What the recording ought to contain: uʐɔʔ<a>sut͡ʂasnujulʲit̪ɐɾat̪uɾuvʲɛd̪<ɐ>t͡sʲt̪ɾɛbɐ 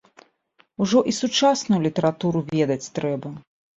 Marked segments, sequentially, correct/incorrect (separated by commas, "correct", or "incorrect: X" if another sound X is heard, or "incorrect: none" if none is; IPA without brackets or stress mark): incorrect: i, correct